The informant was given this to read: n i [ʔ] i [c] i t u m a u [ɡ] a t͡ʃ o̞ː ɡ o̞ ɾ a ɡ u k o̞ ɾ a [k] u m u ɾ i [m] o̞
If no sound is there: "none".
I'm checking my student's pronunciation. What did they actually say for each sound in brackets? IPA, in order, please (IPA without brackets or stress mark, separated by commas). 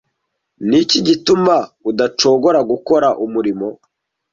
c, ɟ, d, ʔ, m